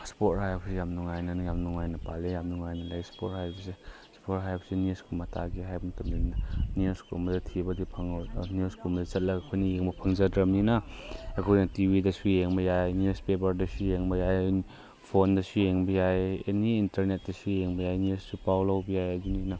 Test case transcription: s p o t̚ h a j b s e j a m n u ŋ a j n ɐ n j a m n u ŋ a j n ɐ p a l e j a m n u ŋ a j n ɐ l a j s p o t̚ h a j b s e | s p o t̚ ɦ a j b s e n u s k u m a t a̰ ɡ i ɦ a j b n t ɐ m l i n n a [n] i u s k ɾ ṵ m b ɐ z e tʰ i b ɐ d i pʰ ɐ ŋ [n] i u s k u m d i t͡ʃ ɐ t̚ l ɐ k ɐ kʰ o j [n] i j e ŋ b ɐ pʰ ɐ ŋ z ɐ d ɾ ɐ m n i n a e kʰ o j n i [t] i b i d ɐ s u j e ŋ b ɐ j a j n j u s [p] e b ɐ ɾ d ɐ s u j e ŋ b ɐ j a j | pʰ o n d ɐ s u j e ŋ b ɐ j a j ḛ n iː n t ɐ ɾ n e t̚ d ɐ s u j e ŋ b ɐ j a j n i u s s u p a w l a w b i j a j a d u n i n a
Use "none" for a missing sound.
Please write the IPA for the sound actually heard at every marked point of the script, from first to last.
n, n, n, t, p

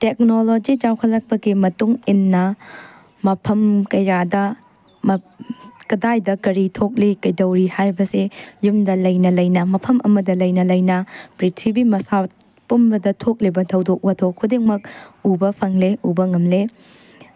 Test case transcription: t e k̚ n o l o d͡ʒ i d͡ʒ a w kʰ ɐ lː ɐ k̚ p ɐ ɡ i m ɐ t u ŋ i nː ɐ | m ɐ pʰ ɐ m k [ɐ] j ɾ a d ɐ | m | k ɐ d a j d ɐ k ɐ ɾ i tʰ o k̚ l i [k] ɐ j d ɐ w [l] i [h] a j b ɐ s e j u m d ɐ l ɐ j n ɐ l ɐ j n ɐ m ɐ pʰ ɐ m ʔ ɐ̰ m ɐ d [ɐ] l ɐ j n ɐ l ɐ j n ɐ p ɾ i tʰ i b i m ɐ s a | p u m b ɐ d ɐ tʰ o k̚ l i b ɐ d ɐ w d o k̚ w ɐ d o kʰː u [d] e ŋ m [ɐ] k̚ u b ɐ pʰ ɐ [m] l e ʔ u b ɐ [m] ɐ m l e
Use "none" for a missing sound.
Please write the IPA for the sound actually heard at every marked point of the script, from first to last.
ɐ, k, ɾ, h, ɐ, d, ɐ, ŋ, ŋ

